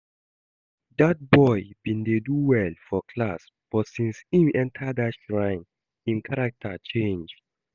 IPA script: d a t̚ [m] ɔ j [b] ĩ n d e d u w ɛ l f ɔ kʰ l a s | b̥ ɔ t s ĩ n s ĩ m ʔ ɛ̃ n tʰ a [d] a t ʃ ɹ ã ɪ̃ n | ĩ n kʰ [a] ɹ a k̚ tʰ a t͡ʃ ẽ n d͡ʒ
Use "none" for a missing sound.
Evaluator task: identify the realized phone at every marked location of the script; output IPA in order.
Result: b, b, d, a

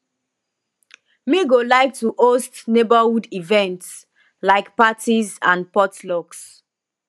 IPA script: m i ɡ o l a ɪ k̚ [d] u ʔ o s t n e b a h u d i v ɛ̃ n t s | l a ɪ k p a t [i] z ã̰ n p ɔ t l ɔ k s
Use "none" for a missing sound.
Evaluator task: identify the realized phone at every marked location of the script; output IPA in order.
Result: t, i

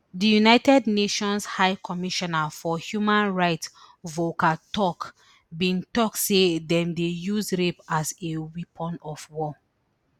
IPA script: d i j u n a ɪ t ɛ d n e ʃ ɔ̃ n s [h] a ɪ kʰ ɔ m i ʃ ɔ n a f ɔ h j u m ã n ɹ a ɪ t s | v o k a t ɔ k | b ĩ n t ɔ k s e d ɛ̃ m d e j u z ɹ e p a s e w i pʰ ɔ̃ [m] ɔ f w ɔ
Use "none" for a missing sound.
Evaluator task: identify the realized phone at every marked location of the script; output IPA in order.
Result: h, n

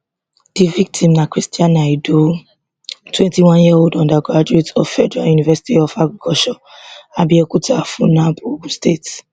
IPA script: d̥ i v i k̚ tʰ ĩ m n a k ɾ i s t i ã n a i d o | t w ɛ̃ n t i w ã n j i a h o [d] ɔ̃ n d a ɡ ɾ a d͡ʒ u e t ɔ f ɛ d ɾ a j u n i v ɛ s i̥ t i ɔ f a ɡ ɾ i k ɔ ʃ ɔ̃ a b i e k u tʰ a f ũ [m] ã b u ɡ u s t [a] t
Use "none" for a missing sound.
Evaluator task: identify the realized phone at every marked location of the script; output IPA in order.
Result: d, n, e

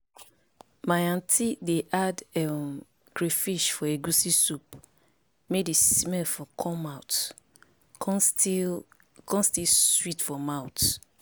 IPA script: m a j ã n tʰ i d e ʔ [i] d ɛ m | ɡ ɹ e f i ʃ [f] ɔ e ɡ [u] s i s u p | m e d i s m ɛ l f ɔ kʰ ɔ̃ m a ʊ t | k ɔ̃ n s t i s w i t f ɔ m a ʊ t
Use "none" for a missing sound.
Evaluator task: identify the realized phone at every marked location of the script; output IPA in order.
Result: a, f, u

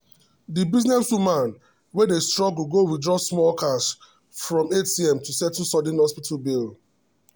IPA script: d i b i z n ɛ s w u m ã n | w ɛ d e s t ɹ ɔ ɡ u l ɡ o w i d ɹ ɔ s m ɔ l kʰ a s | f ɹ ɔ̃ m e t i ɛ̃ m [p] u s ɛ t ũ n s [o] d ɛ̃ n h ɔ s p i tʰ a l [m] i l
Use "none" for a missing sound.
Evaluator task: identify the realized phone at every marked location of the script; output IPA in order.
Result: t, ɔ, b

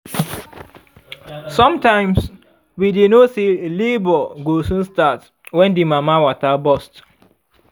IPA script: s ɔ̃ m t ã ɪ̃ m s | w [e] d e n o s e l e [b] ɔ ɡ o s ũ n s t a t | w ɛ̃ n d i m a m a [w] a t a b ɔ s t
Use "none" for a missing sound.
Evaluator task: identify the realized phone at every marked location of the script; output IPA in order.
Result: i, b, w

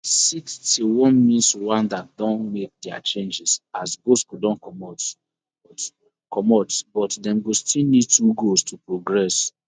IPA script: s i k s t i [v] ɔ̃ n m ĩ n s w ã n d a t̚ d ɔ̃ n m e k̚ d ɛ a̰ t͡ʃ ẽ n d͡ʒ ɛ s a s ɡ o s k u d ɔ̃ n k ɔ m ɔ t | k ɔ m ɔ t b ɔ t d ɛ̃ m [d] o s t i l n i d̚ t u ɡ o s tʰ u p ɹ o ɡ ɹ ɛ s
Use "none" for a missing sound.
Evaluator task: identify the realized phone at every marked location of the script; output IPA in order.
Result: w, ɡ

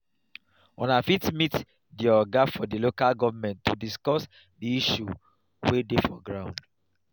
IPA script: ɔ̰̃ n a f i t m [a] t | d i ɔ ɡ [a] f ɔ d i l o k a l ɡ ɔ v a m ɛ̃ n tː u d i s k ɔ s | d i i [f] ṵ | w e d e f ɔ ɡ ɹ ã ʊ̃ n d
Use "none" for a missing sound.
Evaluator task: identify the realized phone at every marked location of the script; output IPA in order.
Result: i, a, ʃ

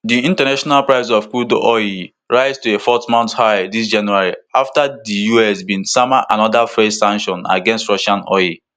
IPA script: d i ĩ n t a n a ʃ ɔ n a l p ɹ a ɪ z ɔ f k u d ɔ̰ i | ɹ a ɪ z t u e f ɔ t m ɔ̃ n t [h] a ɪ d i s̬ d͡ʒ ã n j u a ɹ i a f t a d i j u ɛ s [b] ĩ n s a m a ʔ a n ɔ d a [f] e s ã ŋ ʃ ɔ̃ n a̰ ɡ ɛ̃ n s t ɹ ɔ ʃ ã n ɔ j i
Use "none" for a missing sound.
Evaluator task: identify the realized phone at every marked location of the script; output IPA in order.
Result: h, b, f

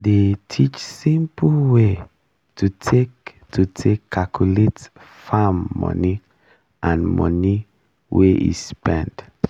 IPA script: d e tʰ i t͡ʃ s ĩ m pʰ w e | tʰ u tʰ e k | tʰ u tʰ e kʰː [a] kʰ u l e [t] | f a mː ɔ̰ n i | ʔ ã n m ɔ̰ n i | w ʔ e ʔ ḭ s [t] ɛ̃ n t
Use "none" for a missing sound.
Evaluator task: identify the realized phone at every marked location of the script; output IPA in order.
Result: a, t, p

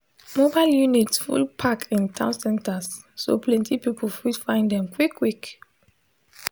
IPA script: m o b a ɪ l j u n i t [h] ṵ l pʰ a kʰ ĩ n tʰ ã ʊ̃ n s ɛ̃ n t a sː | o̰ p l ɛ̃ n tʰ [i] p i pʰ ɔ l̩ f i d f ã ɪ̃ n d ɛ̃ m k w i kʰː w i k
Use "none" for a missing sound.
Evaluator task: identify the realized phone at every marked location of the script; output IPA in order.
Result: f, i

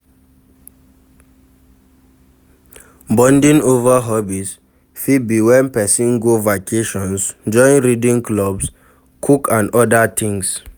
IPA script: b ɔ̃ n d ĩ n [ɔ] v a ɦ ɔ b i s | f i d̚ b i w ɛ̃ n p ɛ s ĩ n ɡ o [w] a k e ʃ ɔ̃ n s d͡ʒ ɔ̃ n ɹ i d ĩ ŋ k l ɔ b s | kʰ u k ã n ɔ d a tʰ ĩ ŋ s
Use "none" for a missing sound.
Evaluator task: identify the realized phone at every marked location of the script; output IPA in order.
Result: o, v

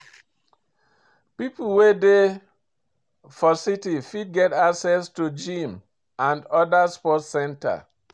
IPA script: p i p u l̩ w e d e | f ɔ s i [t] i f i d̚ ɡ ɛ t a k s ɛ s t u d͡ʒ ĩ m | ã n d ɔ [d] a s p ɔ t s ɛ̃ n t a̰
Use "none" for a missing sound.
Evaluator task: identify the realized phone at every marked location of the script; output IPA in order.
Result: t, d

